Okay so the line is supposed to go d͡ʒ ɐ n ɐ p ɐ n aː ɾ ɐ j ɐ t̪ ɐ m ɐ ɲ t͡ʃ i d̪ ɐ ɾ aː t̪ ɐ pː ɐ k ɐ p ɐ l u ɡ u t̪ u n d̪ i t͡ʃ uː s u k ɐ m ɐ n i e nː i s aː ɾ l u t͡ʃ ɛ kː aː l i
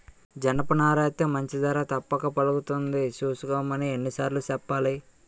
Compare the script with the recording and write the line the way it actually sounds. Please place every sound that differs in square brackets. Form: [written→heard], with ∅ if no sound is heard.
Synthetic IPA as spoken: d͡ʒ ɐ n ɐ p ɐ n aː ɾ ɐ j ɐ t̪ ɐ m ɐ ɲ t͡ʃ i d̪ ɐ ɾ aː t̪ ɐ pː ɐ k ɐ p ɐ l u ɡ u t̪ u n d̪ i t͡ʃ uː s u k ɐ m ɐ n i e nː i s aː ɾ l u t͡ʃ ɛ [kː→pː] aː l i